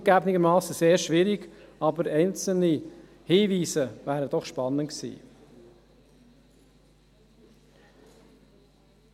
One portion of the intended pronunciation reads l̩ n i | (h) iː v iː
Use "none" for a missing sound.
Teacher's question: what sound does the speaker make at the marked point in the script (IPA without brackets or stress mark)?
h